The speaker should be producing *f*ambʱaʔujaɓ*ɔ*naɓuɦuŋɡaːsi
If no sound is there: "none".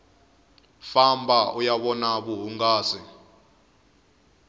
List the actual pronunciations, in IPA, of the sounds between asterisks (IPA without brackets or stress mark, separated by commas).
f, ɔ